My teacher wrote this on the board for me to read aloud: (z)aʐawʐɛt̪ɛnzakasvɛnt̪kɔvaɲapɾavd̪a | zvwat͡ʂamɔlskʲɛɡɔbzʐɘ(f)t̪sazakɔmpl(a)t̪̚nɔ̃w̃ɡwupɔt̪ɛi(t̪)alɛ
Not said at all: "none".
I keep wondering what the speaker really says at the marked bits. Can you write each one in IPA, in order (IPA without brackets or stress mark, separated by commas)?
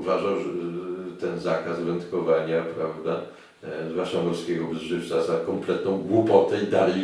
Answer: v, f, ɛ, d̪